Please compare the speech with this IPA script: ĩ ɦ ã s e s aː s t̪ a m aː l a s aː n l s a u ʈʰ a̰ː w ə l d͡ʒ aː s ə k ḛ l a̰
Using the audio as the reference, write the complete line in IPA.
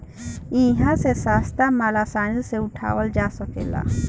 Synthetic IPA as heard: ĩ ɦ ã s e s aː s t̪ a m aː l a s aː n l s e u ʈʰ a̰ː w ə l d͡ʒ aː s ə k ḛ l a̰